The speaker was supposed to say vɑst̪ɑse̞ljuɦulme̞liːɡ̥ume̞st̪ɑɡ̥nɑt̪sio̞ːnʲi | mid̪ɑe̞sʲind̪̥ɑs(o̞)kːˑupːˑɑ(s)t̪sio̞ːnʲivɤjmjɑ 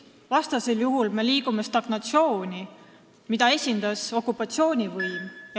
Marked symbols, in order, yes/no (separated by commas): yes, no